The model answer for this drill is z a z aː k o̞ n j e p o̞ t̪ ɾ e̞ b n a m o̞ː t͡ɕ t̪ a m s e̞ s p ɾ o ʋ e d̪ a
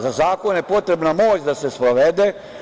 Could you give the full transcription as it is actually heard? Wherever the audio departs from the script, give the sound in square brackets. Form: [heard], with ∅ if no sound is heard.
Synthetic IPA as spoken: z a z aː k o̞ n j e p o̞ t̪ ɾ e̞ b n a m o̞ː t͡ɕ [d̪] a [∅] s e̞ s p ɾ o ʋ e d̪ [e]

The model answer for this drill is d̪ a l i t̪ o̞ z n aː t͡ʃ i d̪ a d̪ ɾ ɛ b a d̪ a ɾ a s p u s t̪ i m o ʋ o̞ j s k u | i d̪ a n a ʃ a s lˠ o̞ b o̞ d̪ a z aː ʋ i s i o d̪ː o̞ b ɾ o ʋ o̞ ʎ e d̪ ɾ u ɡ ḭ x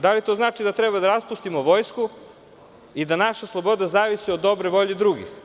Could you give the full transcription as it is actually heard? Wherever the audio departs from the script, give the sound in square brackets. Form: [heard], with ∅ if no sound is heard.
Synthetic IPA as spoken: d̪ a l i t̪ o̞ z n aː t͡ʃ i d̪ a [t̪] ɾ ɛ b a d̪ a ɾ a s p u s t̪ i m o ʋ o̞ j s k u | i d̪ a n a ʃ a s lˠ o̞ b o̞ d̪ a z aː ʋ i s i o d̪ː o̞ b ɾ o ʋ o̞ ʎ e d̪ ɾ u ɡ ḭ x

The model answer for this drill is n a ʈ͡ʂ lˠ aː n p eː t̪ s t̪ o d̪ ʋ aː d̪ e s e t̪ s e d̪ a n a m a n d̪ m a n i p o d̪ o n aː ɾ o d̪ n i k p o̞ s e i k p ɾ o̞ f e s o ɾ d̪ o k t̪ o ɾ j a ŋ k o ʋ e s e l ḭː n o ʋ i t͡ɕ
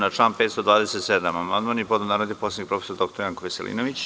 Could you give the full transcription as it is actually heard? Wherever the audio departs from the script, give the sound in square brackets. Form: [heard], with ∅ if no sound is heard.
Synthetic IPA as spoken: n a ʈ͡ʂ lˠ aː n p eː t̪ s t̪ o d̪ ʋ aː d̪ e s e t̪ s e d̪ a [m] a m a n d̪ m a n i p o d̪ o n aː ɾ o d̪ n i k p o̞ s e i k p ɾ o̞ f e s o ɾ d̪ o k t̪ o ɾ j a ŋ k o ʋ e s e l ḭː n o ʋ i t͡ɕ

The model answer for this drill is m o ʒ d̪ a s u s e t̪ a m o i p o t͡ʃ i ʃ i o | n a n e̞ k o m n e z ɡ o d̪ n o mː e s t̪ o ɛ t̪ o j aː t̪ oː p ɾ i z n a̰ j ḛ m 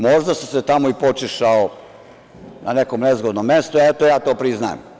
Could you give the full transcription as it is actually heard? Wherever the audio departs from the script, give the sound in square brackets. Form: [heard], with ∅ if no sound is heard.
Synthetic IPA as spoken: m o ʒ d̪ a s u s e t̪ a m o i p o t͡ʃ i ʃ [a] o | n a n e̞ k o m n e z ɡ o d̪ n o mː e s t̪ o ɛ t̪ o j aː t̪ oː p ɾ i z n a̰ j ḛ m

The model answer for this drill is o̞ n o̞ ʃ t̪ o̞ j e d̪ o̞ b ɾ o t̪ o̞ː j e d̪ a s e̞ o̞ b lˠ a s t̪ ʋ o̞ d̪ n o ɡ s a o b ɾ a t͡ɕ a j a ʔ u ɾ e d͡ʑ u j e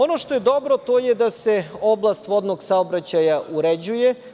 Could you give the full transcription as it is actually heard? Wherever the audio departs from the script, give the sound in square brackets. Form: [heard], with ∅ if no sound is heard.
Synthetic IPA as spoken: o̞ n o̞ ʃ t̪ o̞ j e d̪ o̞ b ɾ o t̪ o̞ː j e d̪ a s e̞ o̞ b lˠ a s t̪ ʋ o̞ d̪ n o ɡ s a o b ɾ a t͡ɕ a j a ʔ u ɾ e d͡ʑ u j e

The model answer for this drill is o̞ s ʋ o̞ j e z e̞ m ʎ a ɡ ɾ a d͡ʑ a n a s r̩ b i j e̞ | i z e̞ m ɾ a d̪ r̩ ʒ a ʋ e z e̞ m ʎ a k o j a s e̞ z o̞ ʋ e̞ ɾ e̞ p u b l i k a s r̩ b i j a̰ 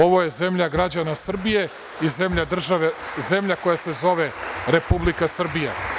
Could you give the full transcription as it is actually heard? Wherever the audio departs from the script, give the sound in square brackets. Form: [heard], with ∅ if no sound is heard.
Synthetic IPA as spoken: o̞ [∅] ʋ o̞ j e z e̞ m ʎ a ɡ ɾ a d͡ʑ a n a s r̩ b i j e̞ | i z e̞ m [ʎ] a d̪ r̩ ʒ a ʋ e z e̞ m ʎ a k o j a s e̞ z o̞ ʋ e̞ ɾ e̞ p u b l i k a s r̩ b i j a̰

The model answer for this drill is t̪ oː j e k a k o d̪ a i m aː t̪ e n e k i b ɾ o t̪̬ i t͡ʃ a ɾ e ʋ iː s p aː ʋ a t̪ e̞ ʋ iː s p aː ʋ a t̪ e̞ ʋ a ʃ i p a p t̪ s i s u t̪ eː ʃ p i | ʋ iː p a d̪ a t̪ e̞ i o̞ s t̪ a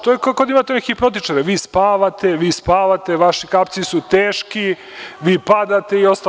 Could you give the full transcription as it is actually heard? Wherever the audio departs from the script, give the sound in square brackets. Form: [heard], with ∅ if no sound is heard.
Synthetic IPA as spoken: t̪ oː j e k a k o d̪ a i m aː t̪ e n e k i [p] ɾ o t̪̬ i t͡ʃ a ɾ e ʋ iː s p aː ʋ a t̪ e̞ ʋ iː s p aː ʋ a t̪ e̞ ʋ a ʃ i [k] a p t̪ s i s u t̪ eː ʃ [k] i | ʋ iː p a d̪ a t̪ e̞ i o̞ s t̪ a

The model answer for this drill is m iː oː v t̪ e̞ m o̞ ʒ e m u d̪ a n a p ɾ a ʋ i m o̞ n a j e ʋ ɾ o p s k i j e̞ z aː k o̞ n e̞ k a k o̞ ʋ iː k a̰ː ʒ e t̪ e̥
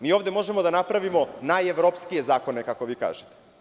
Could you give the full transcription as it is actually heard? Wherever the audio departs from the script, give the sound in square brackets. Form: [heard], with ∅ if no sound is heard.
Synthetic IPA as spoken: m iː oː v [d̪] e̞ m o̞ ʒ e m [o] d̪ a n a p ɾ a ʋ i m o̞ n a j e ʋ ɾ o p s k i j e̞ z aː k o̞ n e̞ k a k o̞ ʋ iː k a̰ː ʒ e t̪ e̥

